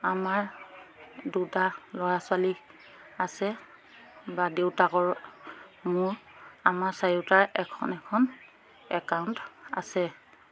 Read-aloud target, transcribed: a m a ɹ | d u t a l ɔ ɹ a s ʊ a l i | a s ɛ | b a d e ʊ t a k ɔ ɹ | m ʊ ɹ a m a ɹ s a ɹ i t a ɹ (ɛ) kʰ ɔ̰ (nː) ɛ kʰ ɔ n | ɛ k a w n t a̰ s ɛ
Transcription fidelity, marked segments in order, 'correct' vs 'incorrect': correct, incorrect: n

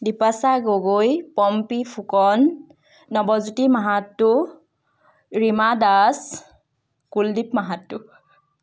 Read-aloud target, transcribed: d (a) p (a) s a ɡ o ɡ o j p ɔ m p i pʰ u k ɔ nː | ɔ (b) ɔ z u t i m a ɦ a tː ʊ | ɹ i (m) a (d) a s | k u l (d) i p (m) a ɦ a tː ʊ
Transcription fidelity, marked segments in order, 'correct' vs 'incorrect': incorrect: i, correct, correct, correct, correct, correct, correct

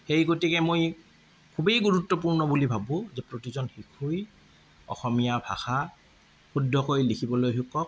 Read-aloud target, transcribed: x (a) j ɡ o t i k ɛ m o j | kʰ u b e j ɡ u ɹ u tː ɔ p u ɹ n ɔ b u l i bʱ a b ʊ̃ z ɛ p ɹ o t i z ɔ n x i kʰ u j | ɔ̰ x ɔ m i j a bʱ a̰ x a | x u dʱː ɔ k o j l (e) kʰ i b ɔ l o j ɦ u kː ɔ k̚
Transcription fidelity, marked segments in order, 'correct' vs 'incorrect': incorrect: e, incorrect: i

